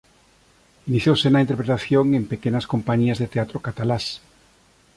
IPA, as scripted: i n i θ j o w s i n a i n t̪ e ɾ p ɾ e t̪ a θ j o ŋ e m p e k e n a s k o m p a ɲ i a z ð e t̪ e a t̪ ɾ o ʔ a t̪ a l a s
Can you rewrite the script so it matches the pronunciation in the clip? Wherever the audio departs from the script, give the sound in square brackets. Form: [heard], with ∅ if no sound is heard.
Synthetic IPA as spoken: i n i θ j o w s [e] n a i n t̪ e ɾ p ɾ e t̪ a θ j o ŋ e m p e k e n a s k o m p a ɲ i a z ð e t̪ e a t̪ ɾ o [k] a t̪ a l a s